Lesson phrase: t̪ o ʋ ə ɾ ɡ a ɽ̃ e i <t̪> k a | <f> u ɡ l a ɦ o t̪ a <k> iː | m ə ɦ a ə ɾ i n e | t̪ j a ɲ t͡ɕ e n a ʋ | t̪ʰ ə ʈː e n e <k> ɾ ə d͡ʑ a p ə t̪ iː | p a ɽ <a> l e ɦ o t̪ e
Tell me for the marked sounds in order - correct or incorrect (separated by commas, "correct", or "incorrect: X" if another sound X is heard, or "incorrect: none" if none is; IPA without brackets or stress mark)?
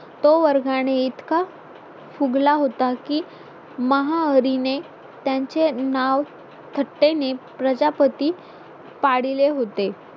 correct, correct, correct, incorrect: p, incorrect: i